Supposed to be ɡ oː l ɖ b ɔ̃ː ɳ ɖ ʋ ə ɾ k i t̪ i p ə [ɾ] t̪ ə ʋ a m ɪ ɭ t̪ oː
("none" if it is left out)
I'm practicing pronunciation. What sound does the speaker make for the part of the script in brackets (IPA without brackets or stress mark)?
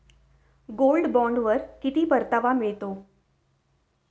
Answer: ɾ